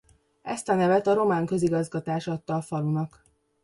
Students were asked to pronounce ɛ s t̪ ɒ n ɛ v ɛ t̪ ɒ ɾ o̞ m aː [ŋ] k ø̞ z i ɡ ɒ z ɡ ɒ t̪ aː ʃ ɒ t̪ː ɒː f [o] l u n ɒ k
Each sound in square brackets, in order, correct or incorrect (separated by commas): correct, incorrect